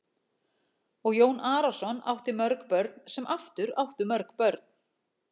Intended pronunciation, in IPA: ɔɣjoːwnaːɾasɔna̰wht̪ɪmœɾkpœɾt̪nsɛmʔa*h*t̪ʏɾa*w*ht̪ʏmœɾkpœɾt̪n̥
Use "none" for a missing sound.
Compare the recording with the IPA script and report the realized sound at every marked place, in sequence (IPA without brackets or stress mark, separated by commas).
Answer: f, w